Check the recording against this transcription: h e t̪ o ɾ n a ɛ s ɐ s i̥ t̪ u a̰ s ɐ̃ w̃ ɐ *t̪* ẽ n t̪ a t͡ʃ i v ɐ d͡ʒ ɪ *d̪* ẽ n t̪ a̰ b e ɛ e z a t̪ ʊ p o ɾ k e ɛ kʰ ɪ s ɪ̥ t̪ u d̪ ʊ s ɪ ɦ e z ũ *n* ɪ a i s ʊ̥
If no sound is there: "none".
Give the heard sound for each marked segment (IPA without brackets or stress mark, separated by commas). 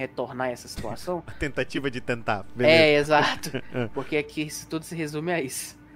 t̪, t̪, m